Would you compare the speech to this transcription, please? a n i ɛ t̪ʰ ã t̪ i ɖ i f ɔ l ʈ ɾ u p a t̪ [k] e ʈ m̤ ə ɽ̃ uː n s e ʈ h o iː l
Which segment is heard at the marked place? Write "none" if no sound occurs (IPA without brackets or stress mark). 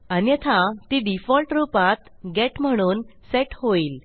ɡ